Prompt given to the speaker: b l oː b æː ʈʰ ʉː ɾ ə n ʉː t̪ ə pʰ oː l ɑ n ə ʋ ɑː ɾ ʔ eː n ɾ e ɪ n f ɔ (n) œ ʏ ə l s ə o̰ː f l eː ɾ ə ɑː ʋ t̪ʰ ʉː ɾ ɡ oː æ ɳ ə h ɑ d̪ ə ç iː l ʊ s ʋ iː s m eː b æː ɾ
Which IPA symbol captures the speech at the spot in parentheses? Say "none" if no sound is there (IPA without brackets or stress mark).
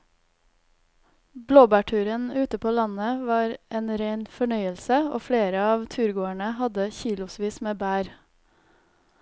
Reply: ɳ